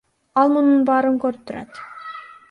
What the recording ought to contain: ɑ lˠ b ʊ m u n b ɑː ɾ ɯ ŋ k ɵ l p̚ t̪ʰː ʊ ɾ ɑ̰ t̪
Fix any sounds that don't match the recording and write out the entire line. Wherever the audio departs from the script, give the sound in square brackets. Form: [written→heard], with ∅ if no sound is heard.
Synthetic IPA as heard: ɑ lˠ [b→m] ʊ [m→n] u n b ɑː ɾ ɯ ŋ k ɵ [l→ɾ] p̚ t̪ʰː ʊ ɾ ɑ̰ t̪